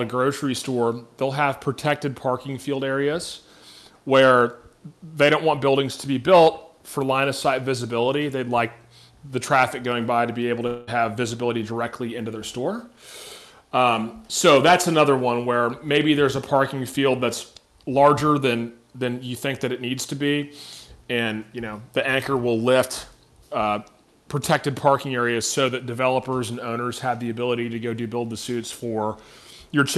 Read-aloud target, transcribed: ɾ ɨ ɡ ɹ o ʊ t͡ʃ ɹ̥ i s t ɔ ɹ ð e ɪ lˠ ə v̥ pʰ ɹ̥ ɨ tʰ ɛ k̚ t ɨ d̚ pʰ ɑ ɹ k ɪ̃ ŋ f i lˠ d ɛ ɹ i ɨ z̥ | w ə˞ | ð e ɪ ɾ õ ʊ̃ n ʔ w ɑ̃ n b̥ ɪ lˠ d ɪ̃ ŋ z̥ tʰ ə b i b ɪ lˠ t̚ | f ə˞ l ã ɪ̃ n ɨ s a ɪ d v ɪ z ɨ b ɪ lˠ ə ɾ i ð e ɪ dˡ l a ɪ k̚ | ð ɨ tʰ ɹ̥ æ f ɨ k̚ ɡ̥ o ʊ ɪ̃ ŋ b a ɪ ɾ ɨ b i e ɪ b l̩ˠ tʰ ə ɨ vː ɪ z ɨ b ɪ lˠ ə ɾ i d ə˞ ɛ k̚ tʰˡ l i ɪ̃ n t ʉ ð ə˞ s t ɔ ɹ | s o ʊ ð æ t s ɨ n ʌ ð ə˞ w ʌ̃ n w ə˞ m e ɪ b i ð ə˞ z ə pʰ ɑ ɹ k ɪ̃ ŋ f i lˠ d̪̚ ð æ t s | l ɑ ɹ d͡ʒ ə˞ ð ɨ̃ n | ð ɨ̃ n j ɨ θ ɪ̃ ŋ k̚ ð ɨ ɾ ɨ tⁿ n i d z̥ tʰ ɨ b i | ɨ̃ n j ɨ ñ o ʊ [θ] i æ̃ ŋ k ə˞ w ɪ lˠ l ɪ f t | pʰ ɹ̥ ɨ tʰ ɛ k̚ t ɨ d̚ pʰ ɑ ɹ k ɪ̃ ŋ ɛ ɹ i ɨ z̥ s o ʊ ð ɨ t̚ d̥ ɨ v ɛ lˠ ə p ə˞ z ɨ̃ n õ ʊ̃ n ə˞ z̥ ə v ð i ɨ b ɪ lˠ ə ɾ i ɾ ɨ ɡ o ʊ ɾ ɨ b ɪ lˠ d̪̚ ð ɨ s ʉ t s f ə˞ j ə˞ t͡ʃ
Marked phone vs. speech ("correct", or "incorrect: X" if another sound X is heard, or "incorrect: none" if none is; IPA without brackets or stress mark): incorrect: ð